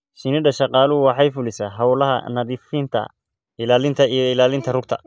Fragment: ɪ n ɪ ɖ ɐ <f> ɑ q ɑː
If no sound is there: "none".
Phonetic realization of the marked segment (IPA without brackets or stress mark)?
ʃ